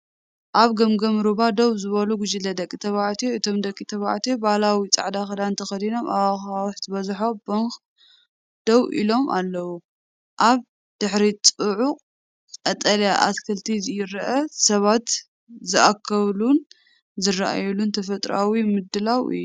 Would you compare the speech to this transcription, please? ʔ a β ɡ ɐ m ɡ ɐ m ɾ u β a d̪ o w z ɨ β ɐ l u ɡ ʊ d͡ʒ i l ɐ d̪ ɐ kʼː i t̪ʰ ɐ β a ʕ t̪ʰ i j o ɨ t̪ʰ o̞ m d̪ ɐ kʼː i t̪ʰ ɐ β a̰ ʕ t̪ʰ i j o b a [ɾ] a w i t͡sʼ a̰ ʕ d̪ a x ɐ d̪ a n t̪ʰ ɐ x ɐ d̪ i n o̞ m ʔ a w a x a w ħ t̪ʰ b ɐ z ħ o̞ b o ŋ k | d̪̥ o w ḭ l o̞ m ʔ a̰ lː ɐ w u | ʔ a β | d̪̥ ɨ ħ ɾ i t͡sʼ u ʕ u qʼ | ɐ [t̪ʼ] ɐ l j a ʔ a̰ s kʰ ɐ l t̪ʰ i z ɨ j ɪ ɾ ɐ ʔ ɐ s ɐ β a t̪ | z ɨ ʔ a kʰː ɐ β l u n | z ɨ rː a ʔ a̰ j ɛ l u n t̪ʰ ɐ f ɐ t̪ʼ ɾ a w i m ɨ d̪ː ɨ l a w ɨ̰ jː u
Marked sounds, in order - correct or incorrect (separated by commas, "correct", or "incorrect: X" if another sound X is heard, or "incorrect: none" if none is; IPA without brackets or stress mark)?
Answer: incorrect: l, correct